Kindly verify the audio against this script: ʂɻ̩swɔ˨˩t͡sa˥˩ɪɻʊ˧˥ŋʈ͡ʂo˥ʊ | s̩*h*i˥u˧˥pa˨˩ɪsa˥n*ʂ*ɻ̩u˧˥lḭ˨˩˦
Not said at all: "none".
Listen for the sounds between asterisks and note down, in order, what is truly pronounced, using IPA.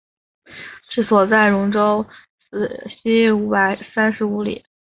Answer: ɕ, ʂ

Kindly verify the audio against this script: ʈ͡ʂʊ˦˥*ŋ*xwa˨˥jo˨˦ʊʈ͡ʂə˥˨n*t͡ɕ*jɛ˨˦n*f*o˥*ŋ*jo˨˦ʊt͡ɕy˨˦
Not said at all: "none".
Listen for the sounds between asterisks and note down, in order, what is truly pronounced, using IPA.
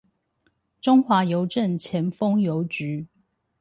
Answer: ŋ, t͡ɕʰ, f, ŋ

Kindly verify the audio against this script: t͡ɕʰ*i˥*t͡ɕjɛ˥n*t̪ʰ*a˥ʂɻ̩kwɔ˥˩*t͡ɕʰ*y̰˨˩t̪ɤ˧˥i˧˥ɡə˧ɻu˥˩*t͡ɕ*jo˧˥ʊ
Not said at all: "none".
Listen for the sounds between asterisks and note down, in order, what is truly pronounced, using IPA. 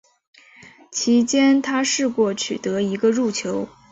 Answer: i˧˥, t̪ʰ, t͡ɕʰ, t͡ɕʰ

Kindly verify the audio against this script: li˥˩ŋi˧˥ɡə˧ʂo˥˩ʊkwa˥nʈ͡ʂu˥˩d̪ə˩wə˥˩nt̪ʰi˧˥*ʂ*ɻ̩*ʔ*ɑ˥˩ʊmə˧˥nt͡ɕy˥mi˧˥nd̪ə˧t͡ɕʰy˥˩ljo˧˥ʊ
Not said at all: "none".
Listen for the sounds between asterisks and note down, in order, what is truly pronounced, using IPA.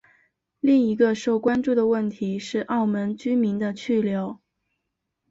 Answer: ʂ, ʔ

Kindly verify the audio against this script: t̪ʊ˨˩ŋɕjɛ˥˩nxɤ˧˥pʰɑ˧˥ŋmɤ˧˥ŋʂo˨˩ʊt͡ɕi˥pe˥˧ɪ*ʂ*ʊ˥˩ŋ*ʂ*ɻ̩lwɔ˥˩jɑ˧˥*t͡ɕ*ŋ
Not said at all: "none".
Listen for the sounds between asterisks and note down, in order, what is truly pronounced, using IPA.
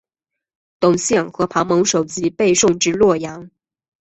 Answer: ʂ, ʈ͡ʂ, none

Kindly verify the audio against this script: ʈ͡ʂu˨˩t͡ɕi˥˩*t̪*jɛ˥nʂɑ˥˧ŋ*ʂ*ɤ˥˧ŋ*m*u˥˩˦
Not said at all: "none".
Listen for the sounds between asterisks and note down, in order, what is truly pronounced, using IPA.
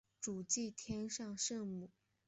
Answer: t̪ʰ, ʂ, m

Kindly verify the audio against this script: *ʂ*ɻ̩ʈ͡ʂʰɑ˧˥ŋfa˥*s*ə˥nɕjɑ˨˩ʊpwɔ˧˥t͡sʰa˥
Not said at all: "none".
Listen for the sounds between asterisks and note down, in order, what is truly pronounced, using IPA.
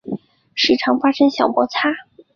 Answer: ʂ, ʂ

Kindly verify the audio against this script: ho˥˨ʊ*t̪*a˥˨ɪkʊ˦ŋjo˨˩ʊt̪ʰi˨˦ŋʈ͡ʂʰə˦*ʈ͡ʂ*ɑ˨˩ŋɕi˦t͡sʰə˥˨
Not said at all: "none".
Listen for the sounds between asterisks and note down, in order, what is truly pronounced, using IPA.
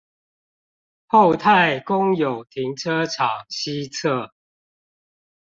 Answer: t̪ʰ, ʈ͡ʂʰ

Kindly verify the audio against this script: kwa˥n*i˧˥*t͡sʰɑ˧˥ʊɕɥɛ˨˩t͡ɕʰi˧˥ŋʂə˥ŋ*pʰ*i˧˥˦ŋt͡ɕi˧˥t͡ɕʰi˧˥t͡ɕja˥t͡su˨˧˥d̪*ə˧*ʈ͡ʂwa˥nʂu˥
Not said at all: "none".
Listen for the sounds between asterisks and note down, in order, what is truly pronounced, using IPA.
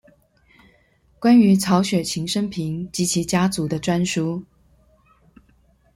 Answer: y˧˥, pʰ, ə˧

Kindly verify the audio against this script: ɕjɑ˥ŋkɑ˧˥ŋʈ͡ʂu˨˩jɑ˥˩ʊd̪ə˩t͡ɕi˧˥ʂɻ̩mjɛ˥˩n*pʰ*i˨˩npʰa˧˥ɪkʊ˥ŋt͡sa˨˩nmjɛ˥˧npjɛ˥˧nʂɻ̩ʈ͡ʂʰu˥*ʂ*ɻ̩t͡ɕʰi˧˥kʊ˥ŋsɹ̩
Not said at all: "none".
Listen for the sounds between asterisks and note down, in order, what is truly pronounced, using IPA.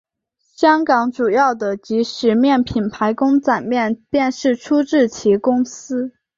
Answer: pʰ, ʈ͡ʂ

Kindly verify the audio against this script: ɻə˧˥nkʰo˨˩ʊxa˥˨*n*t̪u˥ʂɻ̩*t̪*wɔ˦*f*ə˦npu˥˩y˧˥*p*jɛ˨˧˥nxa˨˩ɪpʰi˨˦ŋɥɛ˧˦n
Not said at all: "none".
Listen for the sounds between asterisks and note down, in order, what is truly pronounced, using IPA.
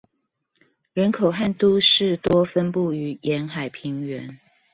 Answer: n, t̪, f, none

